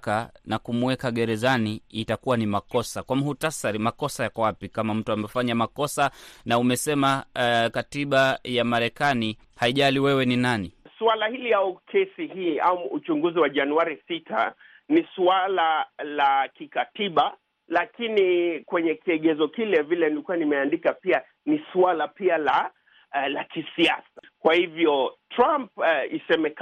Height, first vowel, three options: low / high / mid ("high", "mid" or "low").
low